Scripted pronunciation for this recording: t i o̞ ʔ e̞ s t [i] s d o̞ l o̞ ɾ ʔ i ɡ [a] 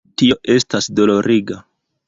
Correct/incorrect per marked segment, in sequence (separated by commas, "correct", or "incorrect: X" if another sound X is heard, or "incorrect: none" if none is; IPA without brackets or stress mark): incorrect: a, correct